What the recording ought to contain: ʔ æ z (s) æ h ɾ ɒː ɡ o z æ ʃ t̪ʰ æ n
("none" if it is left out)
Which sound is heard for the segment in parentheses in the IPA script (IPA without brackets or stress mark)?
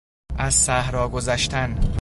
s